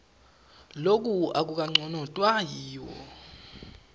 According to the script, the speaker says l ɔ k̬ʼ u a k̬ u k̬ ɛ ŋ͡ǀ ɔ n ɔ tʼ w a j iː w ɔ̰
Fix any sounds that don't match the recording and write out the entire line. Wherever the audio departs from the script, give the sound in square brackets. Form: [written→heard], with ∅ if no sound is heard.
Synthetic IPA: l [ɔ→o] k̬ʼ u a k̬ u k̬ [ɛ→a] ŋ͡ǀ ɔ n ɔ tʼ w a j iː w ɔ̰